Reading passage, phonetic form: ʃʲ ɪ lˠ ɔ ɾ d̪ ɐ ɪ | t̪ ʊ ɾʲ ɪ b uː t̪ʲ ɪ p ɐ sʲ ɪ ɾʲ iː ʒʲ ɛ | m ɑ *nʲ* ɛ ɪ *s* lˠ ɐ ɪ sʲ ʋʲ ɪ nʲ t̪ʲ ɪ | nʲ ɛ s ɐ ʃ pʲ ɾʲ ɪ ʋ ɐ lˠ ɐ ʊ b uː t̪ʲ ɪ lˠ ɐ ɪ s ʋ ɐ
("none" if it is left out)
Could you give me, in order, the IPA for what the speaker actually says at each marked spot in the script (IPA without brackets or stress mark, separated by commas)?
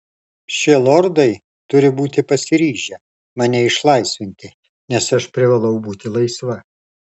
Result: nʲ, ʃ